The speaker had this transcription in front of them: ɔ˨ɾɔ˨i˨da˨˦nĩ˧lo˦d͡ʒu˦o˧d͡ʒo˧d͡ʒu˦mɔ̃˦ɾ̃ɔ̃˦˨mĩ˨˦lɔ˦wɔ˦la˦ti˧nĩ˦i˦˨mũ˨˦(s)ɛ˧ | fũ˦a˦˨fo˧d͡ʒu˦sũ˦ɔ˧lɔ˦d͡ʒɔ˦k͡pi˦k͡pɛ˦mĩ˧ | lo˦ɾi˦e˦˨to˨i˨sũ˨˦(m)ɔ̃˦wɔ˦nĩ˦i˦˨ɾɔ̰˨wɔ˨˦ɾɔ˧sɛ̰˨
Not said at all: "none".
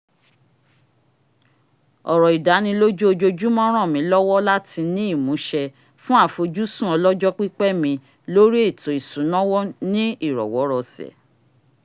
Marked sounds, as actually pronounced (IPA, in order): ʃ, n

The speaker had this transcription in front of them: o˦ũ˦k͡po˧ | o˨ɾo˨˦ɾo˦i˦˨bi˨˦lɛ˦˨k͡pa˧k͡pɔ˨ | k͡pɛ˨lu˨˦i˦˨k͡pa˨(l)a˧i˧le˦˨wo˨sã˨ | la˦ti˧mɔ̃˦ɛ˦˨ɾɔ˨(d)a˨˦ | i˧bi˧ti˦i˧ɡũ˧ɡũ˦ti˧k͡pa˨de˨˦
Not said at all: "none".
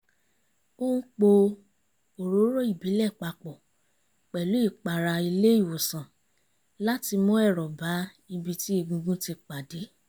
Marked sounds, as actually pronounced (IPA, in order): ɾ, b

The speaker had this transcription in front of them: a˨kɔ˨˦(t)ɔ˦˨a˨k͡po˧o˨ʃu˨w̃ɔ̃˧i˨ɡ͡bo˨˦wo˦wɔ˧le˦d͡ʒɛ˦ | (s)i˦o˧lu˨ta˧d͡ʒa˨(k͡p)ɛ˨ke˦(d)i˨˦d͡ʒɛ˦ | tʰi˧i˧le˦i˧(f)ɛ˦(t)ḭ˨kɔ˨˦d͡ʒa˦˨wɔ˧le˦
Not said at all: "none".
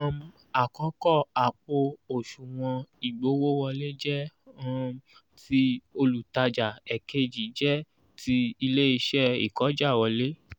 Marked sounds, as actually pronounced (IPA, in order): k, t, none, d͡ʒ, ʃ, none

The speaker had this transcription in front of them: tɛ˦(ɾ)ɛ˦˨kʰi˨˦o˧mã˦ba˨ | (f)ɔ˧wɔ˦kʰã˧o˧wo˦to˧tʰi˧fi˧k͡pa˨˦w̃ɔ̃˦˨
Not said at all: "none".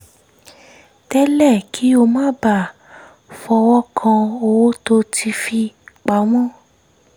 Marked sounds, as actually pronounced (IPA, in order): l, f

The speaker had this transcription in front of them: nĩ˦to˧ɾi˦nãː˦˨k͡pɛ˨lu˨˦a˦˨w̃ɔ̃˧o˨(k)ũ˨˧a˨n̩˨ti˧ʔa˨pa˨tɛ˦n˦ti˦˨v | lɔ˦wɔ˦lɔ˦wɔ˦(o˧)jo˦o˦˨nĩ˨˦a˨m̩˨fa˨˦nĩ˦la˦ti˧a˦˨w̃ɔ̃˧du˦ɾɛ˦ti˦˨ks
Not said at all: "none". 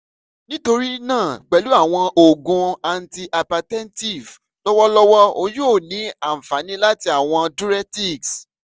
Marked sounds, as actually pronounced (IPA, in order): ɡ, o˧

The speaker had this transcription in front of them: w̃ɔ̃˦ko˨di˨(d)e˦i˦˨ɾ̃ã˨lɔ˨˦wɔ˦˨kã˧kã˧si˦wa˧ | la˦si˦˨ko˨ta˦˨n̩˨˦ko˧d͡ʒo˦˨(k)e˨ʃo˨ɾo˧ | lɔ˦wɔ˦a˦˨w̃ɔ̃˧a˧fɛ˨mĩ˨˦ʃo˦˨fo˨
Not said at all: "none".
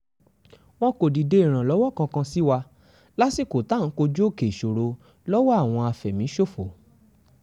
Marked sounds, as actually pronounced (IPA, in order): d, k

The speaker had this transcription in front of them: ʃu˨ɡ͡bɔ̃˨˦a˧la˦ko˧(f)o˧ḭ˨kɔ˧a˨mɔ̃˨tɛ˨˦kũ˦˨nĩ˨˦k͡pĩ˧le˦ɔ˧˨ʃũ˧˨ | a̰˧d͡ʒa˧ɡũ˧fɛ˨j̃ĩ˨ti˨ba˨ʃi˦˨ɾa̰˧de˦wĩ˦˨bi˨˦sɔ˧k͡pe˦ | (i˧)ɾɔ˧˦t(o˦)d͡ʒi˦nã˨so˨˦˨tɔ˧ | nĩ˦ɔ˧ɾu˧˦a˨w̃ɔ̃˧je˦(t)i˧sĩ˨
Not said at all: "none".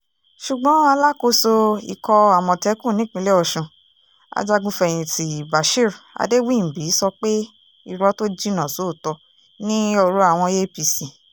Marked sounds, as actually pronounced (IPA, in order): s, i˧, o˦, p

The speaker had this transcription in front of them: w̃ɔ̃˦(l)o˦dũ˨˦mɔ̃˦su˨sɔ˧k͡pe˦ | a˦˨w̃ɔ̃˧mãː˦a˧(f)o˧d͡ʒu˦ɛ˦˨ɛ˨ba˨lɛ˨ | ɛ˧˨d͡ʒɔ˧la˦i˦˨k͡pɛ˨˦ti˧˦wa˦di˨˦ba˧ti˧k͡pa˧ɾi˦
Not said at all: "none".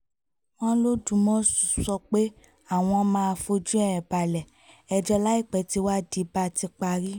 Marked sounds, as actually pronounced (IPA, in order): l, f

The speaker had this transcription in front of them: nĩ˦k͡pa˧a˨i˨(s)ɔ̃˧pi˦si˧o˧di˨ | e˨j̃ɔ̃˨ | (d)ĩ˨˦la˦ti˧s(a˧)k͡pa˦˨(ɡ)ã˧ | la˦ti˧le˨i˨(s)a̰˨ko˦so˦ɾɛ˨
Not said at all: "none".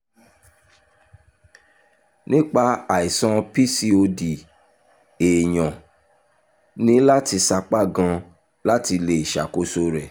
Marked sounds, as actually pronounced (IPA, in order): s, n, a˧, ɡ, ʃ

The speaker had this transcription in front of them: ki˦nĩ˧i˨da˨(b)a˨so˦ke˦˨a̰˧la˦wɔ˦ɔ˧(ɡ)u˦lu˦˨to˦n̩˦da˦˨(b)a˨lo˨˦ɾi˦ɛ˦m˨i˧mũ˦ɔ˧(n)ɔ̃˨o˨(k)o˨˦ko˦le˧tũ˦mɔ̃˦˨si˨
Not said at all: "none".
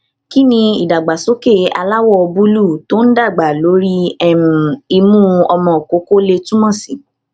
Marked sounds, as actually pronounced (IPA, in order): ɡ͡b, b, ɡ͡b, m, k

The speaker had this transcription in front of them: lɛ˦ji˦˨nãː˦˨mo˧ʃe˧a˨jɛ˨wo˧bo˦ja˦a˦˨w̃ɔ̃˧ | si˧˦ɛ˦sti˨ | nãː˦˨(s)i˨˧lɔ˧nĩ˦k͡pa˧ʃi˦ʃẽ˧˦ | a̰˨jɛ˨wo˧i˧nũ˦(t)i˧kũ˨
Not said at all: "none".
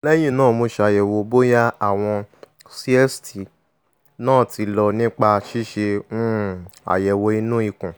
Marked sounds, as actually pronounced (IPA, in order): t, none

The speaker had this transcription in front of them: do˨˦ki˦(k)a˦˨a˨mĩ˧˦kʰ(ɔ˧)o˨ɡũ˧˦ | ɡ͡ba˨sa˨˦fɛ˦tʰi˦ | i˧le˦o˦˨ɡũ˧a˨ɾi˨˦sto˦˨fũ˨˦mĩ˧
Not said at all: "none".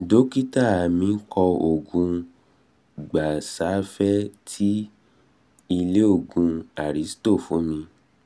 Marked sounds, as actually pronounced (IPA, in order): t, ɔ˧

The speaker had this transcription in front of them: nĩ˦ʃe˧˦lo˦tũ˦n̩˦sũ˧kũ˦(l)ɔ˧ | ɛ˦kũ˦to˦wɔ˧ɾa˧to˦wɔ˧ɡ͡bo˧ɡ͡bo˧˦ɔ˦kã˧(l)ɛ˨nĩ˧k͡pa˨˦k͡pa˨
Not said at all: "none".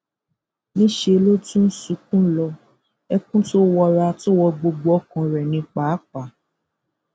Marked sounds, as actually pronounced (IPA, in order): l, ɾ

